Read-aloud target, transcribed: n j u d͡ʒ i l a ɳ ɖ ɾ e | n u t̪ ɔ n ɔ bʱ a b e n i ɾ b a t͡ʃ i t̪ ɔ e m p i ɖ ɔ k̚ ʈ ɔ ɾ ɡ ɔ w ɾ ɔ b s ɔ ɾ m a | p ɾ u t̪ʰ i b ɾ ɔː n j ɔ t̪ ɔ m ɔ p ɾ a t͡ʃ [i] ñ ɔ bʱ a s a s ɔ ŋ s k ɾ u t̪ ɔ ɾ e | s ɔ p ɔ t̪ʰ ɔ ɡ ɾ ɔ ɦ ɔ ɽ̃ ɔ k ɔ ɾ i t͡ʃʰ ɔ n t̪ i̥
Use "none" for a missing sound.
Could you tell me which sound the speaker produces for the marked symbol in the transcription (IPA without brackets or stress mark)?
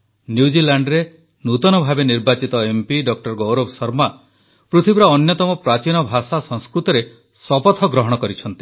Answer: i